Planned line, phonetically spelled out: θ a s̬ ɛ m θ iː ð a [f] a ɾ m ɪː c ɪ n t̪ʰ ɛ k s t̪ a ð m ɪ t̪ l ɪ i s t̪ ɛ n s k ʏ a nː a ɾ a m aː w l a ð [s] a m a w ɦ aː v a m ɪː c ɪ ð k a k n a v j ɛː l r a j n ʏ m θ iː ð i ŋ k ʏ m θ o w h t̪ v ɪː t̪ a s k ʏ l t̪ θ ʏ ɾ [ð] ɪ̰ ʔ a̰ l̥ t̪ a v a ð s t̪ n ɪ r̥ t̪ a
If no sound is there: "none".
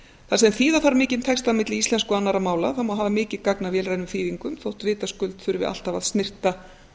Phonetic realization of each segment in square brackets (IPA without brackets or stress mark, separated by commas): θ, θ, v